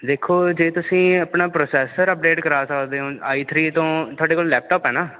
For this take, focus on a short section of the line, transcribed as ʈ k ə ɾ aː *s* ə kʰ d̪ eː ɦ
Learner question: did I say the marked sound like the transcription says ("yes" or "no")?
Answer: yes